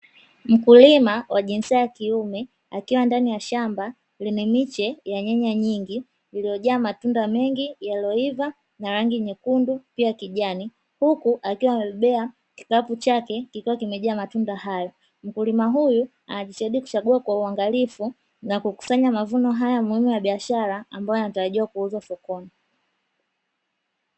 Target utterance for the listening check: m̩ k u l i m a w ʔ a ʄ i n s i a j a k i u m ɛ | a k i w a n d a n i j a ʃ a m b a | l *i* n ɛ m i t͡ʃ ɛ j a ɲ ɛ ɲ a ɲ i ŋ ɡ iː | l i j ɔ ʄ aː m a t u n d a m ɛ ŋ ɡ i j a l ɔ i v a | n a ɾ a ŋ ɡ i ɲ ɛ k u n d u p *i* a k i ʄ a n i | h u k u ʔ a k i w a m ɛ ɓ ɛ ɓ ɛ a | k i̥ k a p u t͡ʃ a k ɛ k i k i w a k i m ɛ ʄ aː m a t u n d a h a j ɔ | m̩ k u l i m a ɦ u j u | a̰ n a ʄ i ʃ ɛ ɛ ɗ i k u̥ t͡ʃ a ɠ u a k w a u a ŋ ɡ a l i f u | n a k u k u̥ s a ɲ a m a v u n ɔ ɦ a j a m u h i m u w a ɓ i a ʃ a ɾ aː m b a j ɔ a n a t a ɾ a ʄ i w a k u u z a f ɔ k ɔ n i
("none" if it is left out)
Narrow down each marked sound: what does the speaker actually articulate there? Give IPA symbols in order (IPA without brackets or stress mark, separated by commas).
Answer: i, i